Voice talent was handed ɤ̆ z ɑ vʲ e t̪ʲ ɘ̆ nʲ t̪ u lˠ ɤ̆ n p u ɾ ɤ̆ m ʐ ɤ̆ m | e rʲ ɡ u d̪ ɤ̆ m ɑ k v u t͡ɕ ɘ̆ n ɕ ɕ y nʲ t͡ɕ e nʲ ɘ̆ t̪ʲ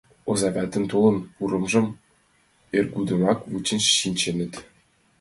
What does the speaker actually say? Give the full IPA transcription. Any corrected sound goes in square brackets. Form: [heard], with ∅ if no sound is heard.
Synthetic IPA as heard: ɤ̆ z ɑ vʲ [æ] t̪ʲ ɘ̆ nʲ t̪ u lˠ ɤ̆ n p u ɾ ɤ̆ m ʐ ɤ̆ m | e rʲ ɡ u d̪ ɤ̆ m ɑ k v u t͡ɕ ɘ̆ n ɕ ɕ [i] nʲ t͡ɕ e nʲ ɘ̆ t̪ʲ